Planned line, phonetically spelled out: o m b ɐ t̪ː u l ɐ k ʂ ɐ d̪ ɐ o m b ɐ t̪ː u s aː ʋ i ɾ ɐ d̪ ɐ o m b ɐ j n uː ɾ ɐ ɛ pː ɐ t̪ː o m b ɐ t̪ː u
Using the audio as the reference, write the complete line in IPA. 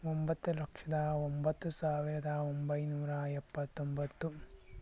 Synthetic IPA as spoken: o m b ɐ t̪ː u l ɐ k ʂ ɐ d̪ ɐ o m b ɐ t̪ː u s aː ʋ i ɾ ɐ d̪ ɐ o m b ɐ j n uː ɾ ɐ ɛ pː ɐ t̪ː o m b ɐ t̪ː u